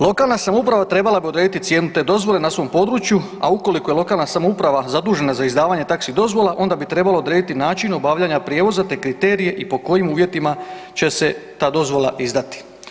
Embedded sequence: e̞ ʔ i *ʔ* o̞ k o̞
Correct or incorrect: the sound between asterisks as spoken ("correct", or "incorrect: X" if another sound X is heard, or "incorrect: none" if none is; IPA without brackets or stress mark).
incorrect: p